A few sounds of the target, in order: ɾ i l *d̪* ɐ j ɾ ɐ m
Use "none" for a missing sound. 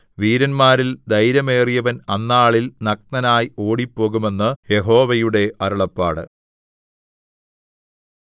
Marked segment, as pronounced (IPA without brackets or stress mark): d̪